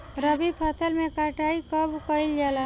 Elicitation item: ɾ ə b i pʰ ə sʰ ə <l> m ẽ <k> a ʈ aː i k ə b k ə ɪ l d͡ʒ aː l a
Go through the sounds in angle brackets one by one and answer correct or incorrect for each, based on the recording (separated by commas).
correct, correct